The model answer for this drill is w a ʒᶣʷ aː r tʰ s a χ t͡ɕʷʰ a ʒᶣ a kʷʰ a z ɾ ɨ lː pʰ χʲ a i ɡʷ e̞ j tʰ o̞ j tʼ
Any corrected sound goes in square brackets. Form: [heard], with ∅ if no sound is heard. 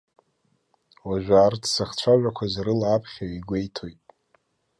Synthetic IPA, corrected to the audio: w a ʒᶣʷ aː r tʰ s a χ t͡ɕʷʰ a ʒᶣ a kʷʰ a z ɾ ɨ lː pʰ χʲ a i ɡʷ e̞ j tʰ o̞ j tʼ